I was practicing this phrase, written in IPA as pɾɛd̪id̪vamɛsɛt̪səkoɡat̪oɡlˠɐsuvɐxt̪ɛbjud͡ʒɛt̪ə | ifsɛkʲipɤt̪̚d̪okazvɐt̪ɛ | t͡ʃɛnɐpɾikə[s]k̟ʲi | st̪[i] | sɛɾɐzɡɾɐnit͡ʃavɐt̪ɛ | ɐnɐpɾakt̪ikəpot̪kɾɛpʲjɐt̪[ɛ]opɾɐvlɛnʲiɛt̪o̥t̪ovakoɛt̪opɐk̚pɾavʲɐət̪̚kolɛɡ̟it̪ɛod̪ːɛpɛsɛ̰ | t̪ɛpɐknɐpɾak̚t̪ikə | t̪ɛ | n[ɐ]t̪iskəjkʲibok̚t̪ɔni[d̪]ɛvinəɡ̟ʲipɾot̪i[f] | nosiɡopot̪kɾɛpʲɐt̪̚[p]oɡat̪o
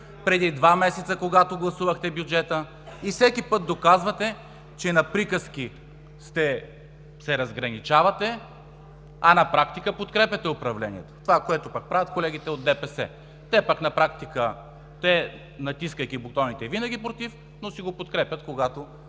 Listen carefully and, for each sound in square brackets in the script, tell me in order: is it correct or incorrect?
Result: correct, incorrect: ɛ, correct, correct, incorrect: t̪, correct, incorrect: k

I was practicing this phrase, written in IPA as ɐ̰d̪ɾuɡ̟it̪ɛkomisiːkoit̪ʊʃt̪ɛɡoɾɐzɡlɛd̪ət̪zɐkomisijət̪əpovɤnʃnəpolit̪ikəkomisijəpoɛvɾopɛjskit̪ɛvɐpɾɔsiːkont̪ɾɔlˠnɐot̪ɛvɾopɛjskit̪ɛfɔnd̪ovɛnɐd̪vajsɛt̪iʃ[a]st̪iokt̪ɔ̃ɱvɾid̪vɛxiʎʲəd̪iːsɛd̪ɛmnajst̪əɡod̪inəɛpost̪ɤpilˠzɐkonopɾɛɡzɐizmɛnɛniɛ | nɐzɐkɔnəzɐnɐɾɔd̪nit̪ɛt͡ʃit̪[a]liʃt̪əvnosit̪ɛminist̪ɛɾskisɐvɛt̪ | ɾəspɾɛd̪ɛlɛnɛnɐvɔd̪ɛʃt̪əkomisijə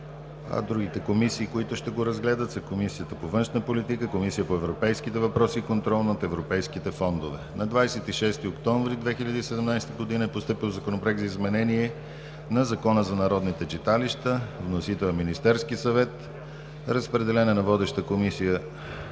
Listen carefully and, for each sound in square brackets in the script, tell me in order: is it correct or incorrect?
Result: incorrect: ɛ, correct

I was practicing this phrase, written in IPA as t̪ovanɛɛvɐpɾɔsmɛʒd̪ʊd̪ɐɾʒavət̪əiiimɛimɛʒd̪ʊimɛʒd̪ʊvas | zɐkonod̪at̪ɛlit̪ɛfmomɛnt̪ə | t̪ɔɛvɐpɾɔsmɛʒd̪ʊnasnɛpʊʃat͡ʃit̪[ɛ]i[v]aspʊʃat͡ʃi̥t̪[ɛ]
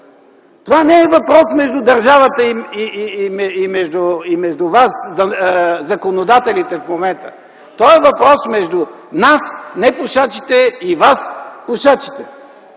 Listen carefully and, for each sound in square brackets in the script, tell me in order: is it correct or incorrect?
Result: correct, correct, correct

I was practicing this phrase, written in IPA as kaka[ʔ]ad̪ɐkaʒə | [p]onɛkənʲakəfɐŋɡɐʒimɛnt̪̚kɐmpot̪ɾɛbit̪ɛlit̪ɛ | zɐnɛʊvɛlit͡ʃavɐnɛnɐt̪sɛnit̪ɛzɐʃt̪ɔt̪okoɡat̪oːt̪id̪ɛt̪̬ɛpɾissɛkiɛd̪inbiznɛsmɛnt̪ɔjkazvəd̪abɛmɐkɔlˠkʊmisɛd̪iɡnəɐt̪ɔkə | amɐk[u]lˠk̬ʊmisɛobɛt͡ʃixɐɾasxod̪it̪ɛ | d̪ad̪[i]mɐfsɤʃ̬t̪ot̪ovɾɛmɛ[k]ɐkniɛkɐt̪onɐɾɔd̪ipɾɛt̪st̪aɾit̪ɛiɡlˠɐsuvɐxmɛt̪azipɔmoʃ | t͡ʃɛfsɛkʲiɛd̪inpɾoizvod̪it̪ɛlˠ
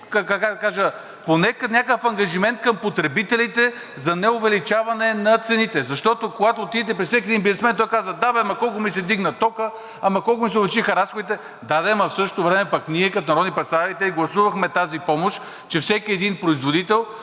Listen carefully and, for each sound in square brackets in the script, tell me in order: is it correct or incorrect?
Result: incorrect: k, correct, incorrect: ɔ, incorrect: ɛ, incorrect: p

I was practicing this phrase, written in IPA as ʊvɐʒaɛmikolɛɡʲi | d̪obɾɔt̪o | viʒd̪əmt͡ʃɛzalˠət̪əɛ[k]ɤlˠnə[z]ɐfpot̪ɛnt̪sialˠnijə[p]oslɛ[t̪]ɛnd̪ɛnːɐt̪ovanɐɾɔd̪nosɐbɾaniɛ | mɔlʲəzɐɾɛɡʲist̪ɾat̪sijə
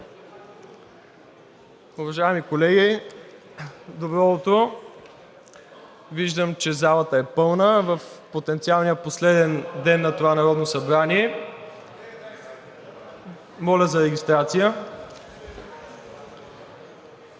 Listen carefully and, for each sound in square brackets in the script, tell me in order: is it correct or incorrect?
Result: incorrect: p, incorrect: v, correct, incorrect: d̪

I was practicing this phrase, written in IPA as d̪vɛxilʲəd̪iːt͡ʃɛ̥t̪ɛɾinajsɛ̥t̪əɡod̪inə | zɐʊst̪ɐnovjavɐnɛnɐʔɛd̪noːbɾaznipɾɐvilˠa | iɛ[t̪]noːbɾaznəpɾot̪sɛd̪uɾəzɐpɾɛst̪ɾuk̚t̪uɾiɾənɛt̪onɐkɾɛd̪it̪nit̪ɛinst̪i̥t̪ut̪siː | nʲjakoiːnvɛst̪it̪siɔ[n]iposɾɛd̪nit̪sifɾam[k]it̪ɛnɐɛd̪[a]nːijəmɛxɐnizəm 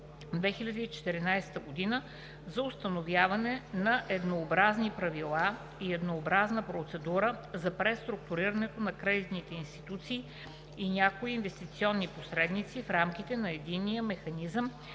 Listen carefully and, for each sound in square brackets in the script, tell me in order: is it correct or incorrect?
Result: incorrect: d̪, incorrect: nː, correct, incorrect: i

